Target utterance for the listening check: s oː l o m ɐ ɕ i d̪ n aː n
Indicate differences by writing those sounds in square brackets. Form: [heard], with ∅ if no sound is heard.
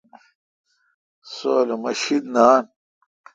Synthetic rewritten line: s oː l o m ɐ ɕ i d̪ n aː n